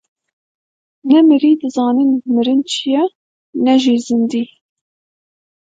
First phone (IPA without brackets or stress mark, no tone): n